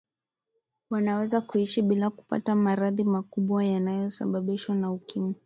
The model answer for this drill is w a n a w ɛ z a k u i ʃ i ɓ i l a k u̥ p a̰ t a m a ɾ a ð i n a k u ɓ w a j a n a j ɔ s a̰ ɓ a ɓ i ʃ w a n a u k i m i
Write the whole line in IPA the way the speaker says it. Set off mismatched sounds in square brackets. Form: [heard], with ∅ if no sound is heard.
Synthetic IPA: w a n a w ɛ z a k u i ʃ i ɓ i l a k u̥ p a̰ t a m a ɾ a ð i [m] a k u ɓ w a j a n a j ɔ s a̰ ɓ a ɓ i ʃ w a n a u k i m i